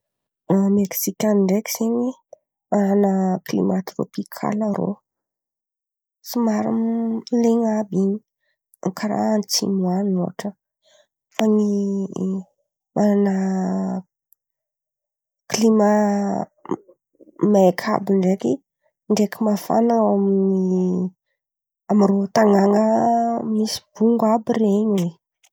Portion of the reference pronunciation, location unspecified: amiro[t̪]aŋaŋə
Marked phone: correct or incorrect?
correct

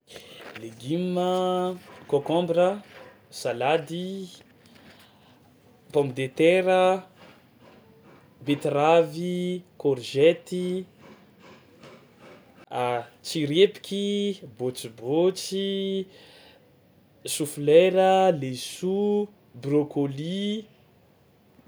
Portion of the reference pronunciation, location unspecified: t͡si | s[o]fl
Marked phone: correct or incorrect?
incorrect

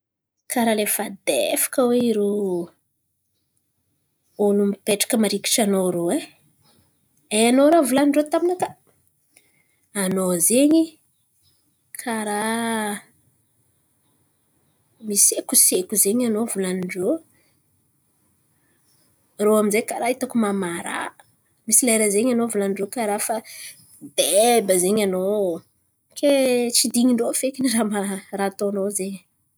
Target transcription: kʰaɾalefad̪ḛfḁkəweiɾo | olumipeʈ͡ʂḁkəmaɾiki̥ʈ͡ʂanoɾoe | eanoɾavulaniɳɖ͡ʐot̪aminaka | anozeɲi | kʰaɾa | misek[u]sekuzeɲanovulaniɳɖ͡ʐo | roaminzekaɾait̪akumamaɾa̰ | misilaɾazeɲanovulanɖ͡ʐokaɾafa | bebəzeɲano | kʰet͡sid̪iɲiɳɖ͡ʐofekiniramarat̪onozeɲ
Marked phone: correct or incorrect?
correct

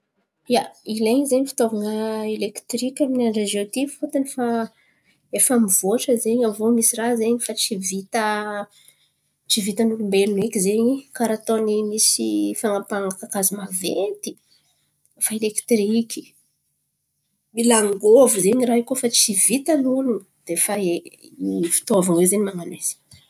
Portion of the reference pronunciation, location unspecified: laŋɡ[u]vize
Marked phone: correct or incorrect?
incorrect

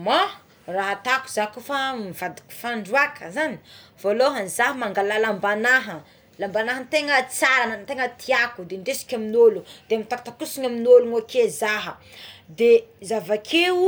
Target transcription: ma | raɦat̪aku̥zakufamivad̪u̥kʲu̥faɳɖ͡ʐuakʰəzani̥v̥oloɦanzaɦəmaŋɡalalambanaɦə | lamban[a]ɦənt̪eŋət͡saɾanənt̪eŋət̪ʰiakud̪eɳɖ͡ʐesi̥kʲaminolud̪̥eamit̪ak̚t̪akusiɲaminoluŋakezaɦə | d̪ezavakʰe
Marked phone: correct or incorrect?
correct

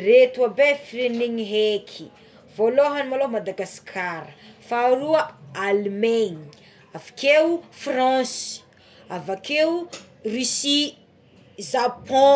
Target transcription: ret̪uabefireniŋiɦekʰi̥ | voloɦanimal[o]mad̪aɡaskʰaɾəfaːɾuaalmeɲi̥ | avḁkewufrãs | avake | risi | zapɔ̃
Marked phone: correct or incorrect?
correct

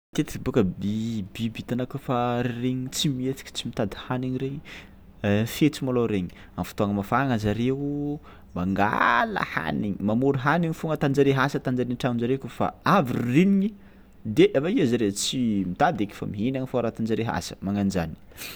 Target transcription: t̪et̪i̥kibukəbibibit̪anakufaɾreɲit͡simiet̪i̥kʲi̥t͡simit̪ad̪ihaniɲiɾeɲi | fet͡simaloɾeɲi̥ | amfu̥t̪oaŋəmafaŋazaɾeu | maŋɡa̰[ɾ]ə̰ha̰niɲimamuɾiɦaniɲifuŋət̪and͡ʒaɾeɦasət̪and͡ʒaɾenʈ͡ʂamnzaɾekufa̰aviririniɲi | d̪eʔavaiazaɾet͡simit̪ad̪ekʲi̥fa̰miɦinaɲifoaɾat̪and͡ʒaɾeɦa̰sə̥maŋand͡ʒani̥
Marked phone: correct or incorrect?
incorrect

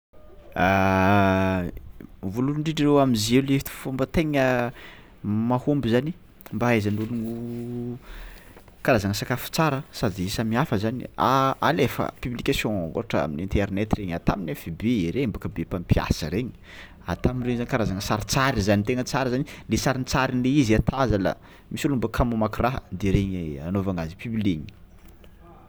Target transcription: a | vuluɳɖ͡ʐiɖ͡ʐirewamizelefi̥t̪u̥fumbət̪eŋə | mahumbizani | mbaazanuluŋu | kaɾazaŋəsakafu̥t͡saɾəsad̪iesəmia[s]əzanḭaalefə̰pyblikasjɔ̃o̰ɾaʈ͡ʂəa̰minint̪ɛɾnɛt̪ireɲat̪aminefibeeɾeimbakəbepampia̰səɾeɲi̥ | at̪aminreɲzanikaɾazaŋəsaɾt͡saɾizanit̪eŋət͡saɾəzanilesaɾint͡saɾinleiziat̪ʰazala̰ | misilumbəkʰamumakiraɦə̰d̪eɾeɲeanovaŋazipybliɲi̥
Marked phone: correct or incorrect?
incorrect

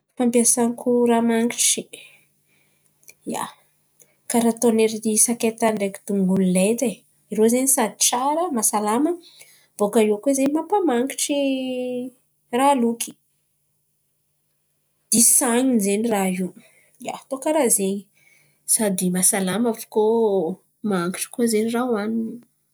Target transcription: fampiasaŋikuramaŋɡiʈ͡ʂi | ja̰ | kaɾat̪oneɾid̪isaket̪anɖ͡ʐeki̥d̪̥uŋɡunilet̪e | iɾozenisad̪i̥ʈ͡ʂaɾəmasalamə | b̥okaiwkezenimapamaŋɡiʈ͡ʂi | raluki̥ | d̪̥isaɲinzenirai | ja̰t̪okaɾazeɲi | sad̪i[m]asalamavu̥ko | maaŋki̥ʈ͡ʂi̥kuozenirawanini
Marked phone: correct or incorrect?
correct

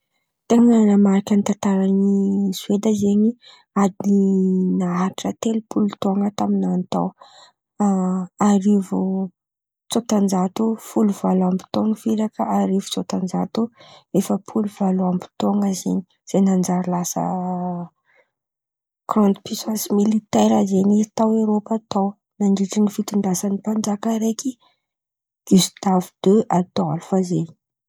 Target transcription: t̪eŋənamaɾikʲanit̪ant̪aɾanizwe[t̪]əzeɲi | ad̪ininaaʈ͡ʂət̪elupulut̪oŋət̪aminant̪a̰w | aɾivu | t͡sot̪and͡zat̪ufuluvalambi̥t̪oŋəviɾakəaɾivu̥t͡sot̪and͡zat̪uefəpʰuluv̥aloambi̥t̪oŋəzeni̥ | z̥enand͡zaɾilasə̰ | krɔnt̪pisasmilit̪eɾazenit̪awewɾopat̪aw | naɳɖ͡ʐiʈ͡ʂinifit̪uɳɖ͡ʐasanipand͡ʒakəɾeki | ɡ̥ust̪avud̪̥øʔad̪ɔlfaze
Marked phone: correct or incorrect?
incorrect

